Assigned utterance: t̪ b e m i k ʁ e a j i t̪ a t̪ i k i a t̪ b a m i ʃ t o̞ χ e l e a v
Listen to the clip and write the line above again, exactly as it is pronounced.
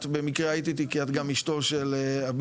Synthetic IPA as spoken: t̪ b e m i k ʁ e a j i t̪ i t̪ i k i a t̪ ɡ a m i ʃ t o̞ ʃ e l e a b